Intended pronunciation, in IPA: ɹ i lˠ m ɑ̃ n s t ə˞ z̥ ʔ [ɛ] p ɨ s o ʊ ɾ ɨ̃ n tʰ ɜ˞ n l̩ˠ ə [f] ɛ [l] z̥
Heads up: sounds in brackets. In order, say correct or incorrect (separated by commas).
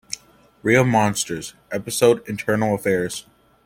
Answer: correct, correct, incorrect